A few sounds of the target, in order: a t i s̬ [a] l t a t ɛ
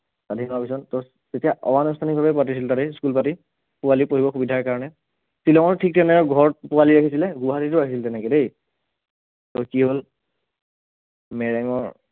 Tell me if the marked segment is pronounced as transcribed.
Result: no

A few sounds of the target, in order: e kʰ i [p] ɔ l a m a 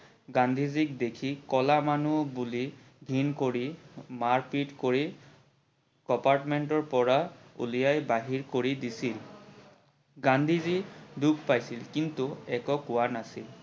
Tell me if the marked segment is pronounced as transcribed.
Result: no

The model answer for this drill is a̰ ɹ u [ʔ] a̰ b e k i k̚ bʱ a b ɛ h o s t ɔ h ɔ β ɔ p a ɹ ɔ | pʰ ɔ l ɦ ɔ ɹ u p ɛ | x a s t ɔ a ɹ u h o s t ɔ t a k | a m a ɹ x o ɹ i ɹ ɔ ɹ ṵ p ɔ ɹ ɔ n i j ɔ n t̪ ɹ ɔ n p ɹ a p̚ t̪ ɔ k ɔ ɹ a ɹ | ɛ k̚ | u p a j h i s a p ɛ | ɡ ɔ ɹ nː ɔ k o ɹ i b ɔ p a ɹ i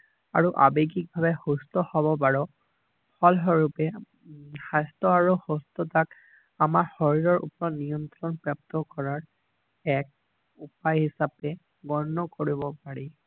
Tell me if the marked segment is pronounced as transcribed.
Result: yes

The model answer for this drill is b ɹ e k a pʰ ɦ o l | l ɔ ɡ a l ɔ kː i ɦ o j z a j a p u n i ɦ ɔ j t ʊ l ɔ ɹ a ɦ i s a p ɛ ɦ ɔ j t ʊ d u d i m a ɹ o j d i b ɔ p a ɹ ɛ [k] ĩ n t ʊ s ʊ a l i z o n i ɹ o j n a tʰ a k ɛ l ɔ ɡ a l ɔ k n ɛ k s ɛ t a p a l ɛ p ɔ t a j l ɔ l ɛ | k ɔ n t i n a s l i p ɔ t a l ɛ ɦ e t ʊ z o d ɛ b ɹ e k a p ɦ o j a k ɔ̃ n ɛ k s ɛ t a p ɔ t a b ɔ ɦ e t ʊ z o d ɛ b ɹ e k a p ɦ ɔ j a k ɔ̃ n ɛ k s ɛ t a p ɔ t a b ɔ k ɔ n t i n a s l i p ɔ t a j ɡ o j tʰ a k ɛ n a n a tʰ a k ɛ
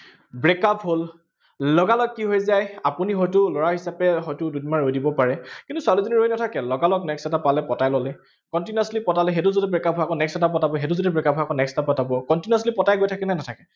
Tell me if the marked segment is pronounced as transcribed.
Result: yes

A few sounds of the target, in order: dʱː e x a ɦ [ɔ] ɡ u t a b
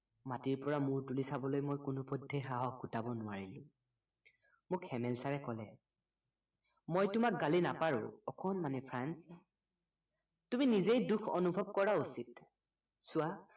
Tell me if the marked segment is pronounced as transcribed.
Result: yes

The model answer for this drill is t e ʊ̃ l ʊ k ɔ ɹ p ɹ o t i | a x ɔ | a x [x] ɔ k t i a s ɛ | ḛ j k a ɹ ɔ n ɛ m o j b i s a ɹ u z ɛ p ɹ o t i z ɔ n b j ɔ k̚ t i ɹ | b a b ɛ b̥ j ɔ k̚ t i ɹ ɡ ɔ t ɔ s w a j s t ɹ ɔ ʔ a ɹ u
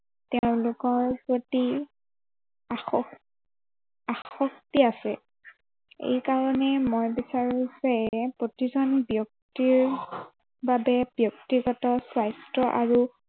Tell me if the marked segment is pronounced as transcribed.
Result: yes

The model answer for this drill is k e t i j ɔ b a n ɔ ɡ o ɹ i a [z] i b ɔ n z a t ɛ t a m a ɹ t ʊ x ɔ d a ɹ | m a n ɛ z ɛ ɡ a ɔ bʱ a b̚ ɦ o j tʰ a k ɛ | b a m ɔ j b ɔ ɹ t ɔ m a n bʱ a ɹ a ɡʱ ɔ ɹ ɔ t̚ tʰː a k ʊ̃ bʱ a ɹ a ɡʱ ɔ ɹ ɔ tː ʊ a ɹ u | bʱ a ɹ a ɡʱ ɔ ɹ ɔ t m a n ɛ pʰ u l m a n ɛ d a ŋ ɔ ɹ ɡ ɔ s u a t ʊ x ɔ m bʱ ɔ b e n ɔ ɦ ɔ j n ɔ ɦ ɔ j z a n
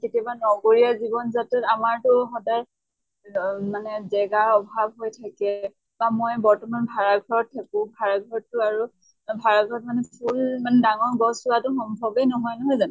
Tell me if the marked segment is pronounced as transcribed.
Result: yes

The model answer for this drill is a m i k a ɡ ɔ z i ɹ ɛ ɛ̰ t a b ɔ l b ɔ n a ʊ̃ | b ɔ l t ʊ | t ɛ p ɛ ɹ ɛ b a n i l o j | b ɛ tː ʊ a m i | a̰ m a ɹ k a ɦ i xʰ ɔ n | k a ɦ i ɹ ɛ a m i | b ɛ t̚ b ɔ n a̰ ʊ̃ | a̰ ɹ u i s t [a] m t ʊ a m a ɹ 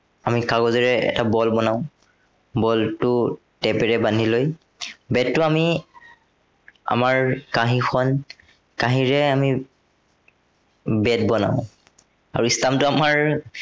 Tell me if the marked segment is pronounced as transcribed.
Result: yes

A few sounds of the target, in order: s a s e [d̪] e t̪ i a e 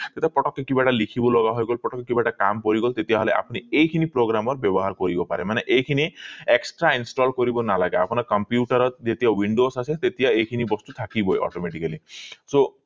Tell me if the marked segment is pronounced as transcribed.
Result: no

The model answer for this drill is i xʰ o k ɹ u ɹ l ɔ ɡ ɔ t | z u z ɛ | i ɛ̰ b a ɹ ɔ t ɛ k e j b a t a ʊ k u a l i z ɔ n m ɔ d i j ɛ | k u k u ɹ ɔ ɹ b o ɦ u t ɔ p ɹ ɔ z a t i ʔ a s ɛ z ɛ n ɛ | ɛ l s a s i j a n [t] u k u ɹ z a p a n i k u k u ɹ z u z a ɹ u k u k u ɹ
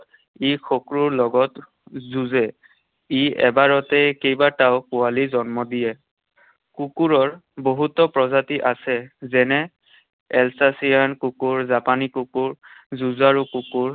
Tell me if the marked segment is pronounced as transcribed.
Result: no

